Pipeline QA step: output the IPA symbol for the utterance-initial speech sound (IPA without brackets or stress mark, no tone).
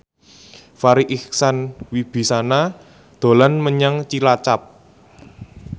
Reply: f